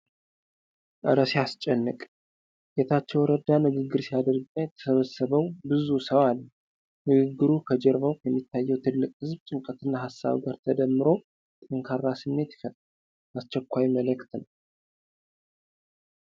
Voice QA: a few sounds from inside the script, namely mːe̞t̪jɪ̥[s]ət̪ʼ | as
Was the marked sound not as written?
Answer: yes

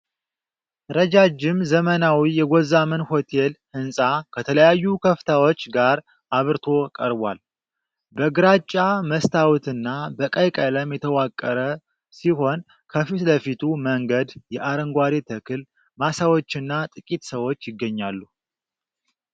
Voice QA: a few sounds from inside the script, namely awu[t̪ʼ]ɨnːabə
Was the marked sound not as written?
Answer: yes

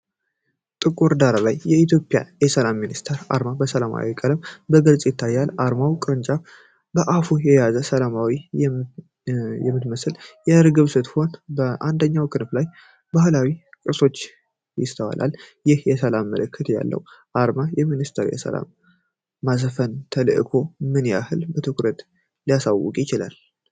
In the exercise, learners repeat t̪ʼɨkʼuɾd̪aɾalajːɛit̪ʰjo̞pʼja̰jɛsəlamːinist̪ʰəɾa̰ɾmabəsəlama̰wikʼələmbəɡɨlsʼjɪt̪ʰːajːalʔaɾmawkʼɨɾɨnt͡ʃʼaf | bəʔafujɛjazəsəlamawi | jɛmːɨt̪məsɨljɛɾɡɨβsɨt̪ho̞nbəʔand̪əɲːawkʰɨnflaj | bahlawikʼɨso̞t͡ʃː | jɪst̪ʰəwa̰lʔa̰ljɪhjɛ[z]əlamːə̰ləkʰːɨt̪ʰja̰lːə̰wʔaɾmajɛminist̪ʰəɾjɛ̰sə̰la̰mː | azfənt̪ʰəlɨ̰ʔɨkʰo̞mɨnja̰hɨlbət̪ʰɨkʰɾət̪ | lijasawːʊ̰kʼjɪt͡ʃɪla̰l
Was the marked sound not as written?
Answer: yes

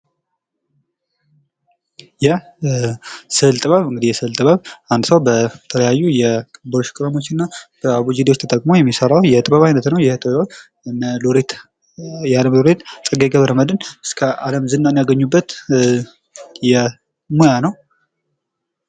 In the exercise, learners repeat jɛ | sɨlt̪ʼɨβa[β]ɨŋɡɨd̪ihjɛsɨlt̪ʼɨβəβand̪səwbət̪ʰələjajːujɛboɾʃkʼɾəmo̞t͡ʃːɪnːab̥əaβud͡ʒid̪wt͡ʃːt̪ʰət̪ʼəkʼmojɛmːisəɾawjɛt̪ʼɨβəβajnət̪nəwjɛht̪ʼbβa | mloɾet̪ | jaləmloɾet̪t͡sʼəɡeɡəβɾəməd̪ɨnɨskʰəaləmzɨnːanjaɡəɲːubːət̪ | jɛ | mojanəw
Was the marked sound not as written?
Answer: no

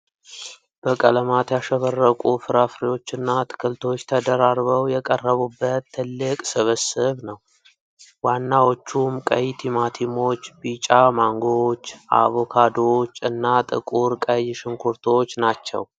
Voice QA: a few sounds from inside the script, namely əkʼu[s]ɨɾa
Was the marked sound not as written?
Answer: yes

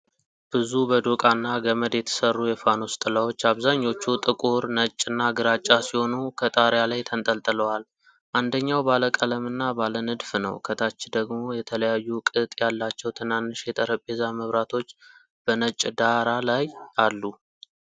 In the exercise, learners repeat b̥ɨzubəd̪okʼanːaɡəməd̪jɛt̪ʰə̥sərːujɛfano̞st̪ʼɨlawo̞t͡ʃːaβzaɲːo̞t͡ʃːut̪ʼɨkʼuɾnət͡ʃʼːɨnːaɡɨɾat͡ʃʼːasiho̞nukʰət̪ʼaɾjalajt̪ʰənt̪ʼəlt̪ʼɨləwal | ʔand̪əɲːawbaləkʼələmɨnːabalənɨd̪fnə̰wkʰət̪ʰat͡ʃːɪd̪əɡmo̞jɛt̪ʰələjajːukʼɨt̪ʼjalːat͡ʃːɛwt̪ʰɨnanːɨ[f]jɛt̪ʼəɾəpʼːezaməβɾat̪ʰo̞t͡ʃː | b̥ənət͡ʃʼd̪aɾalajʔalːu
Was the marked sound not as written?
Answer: yes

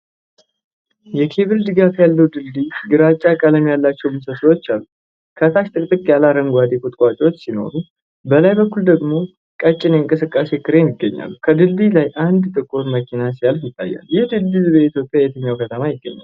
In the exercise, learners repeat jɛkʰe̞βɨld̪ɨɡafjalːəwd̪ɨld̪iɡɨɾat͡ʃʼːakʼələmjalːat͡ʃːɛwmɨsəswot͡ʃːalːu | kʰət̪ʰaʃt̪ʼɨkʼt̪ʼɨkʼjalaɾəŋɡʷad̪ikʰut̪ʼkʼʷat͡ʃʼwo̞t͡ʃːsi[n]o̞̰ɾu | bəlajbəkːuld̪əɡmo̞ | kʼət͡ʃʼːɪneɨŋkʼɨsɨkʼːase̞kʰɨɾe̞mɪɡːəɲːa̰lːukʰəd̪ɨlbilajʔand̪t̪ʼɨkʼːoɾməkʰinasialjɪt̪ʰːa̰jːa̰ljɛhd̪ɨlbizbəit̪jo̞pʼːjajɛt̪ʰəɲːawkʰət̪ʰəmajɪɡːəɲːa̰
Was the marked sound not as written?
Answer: no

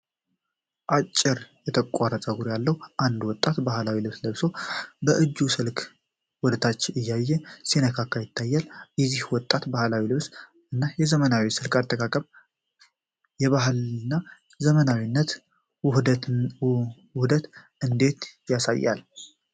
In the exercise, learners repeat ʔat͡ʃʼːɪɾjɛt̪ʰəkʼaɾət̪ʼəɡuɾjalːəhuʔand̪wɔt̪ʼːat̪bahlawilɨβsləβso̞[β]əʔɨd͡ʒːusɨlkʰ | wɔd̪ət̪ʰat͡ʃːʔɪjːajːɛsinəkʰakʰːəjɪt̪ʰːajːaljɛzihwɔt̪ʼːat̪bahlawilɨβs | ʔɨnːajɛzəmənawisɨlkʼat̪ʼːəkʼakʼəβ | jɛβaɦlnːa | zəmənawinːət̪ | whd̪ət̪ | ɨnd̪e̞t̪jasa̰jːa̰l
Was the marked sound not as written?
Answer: yes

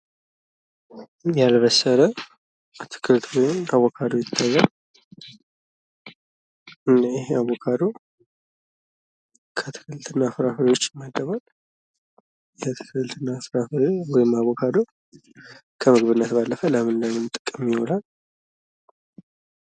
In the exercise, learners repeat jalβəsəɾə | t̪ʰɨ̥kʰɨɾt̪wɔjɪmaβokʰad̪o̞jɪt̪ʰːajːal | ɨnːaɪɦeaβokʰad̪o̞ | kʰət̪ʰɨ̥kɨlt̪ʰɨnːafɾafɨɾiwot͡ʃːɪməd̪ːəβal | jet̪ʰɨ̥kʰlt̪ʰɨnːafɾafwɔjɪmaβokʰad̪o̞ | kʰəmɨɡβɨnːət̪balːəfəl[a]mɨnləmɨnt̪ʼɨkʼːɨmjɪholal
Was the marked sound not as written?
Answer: yes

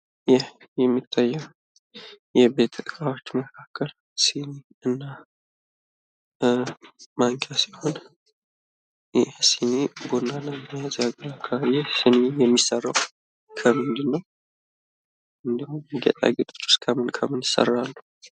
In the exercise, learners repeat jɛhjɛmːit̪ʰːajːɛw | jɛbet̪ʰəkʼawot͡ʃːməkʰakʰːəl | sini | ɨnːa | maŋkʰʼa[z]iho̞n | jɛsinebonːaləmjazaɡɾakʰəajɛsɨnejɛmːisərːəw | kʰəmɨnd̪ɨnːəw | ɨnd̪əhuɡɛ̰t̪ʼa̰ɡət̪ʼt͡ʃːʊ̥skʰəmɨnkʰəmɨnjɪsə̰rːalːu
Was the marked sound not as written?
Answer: yes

